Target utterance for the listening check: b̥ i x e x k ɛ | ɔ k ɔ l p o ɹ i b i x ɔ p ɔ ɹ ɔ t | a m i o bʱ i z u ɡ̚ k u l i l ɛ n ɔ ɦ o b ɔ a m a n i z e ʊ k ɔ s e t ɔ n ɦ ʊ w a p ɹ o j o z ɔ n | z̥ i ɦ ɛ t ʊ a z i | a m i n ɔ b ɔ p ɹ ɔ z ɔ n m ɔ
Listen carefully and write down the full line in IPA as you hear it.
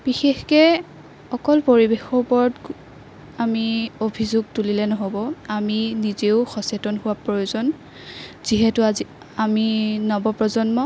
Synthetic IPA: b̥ i x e x k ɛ | ɔ k ɔ l p o ɹ i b e x ɔ p ɔ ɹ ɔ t | a m i o bʱ i z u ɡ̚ t u l i l ɛ n ɔ ɦ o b ɔ a m i n i z e ʊ x ɔ s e t ɔ n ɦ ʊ w a p ɹ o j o z ɔ n | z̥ i ɦ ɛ t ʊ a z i | a m i n ɔ b ɔ p ɹ ɔ z ɔ n m ɔ